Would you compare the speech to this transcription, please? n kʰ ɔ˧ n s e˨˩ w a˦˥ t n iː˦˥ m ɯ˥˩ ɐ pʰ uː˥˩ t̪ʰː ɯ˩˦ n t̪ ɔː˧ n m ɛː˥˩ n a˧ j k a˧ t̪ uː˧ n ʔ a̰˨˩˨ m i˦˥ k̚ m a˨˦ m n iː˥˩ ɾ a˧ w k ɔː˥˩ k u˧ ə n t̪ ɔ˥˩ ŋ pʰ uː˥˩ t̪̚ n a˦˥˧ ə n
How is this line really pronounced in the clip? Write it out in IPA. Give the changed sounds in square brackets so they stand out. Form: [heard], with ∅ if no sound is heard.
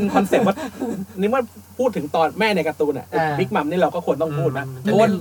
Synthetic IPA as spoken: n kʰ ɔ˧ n s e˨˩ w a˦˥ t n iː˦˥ m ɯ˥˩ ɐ pʰ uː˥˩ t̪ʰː ɯ˩˦ [ŋ] t̪ ɔː˧ n m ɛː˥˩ n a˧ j k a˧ t̪ uː˧ n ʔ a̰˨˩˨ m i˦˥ k̚ m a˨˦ m n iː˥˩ ɾ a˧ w k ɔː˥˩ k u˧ ə n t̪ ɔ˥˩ ŋ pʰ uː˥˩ t̪̚ n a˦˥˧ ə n